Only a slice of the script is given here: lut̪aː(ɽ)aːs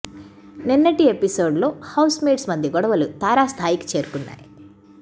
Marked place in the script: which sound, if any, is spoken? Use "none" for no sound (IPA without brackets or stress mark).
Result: ɾ